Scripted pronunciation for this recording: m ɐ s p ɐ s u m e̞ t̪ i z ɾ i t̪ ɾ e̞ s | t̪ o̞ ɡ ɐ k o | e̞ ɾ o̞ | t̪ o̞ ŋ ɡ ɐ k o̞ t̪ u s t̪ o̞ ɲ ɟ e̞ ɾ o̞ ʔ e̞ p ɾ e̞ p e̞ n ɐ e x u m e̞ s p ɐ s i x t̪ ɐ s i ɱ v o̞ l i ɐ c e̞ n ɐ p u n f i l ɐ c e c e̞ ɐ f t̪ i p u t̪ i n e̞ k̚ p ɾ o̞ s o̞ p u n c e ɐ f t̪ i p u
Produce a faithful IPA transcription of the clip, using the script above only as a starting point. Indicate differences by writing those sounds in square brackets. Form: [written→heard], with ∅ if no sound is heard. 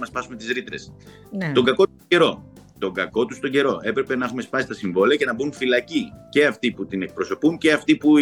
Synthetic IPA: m ɐ s p ɐ s u m e̞ t̪ i z ɾ i t̪ ɾ e̞ s | t̪ o̞ ɡ ɐ k o | e̞ ɾ o̞ | t̪ o̞ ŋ ɡ ɐ k o̞ t̪ u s t̪ o̞ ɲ ɟ e̞ ɾ o̞ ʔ e̞ p ɾ e̞ p e̞ n ɐ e x u m e̞ s p ɐ s i [x→s] t̪ ɐ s i ɱ v o̞ l i ɐ c e̞ n ɐ [p→b] u n f i l ɐ c [e→i] c e̞ ɐ f t̪ i p u t̪ i n e̞ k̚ p ɾ o̞ s o̞ p u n c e ɐ f t̪ i p u